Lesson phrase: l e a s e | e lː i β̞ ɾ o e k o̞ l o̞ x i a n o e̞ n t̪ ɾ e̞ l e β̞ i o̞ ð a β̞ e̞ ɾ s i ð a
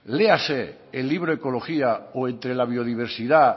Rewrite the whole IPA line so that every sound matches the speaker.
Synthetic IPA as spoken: l e a s e | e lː i β̞ ɾ o e k o̞ l o̞ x i a o e̞ n t̪ ɾ e̞ l a β̞ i o̞ ð i β̞ e̞ ɾ s i ð a